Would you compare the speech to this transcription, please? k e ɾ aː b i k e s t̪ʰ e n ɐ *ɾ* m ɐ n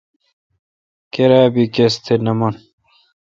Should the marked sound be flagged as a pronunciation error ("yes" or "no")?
yes